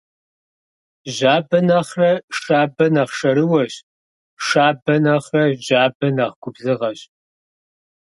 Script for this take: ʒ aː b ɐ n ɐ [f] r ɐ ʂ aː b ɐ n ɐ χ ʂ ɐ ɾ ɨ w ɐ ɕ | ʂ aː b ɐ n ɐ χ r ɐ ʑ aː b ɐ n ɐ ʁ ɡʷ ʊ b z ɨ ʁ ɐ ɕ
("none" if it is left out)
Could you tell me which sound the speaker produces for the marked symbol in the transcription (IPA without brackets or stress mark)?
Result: χ